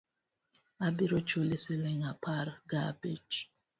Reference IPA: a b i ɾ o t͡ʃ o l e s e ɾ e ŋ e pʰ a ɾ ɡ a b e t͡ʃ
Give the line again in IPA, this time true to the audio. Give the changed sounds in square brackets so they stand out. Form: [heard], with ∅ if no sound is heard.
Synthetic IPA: a b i ɾ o t͡ʃ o l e s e [l] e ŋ [a] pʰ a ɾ ɡ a b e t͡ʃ